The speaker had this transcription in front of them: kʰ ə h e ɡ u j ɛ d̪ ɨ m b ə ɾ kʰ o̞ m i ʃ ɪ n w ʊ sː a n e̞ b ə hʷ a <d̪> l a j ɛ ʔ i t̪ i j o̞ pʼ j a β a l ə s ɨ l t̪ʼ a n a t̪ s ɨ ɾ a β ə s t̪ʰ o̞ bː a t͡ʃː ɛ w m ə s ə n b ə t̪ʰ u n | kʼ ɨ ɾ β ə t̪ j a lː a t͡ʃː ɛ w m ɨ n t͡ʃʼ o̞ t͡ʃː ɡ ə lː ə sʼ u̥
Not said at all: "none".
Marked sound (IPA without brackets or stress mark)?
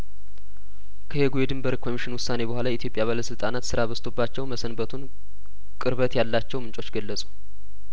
none